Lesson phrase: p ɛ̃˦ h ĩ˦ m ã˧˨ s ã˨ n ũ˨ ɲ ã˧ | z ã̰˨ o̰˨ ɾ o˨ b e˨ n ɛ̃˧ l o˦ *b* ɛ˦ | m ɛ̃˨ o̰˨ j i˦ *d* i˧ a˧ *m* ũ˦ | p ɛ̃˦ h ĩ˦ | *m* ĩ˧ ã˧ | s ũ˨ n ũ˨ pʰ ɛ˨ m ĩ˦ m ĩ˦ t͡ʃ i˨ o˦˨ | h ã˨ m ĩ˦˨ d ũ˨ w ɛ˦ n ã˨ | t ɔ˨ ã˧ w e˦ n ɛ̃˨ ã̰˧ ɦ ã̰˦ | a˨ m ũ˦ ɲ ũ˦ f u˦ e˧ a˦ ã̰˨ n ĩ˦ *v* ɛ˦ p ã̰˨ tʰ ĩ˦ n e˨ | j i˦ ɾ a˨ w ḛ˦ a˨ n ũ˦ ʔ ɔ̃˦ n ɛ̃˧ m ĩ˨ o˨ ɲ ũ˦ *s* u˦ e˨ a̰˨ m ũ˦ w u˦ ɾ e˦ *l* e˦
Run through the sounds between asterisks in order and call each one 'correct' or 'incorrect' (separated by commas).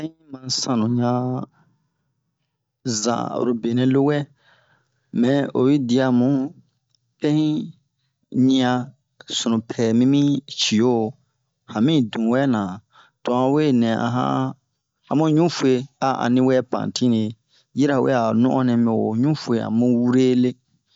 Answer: incorrect, correct, correct, incorrect, incorrect, incorrect, correct